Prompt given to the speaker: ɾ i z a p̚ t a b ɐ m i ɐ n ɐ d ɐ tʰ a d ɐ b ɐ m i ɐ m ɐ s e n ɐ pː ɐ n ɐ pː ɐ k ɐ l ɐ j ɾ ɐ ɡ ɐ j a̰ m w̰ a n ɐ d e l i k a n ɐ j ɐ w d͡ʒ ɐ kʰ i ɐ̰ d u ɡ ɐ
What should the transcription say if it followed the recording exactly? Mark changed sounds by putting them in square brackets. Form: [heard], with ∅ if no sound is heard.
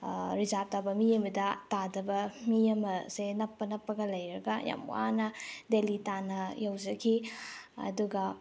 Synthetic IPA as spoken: ɾ i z a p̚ t a b ɐ m i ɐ [m] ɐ d ɐ [t] a d ɐ b ɐ m i ɐ m ɐ s e n ɐ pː ɐ n ɐ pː ɐ [ɡ] ɐ l ɐ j ɾ ɐ ɡ ɐ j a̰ m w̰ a n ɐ d e l i [t] a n ɐ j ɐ w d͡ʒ ɐ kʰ i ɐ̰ d u ɡ ɐ